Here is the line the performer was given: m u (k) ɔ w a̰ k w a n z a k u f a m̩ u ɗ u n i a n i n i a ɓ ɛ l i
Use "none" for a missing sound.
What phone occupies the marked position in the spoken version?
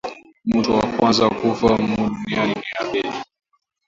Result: t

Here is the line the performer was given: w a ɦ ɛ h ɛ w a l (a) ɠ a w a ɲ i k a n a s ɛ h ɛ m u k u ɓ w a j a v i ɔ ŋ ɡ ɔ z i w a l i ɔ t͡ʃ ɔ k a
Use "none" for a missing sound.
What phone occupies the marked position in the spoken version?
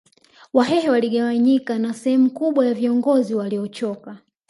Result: i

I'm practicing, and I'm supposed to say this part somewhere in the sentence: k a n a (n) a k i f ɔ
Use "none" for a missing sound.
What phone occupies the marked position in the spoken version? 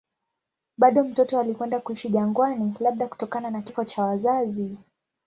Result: n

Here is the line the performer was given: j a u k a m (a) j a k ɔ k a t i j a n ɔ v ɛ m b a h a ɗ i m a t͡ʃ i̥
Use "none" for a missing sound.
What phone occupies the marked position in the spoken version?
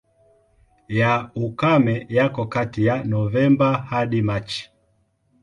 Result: ɛ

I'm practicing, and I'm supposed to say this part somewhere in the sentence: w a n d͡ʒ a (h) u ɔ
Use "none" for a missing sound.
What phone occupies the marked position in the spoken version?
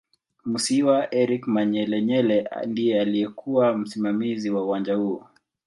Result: h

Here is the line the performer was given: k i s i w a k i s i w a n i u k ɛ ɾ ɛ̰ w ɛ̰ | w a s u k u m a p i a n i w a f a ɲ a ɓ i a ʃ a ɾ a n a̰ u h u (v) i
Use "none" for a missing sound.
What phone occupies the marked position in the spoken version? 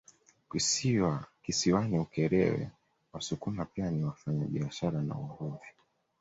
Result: v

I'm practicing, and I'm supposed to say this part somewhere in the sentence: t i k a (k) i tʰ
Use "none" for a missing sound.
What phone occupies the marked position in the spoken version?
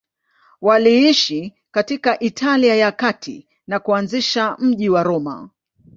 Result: ʔ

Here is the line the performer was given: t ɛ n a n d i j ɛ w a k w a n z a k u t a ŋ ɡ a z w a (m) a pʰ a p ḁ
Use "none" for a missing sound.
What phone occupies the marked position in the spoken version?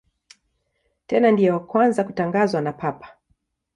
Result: n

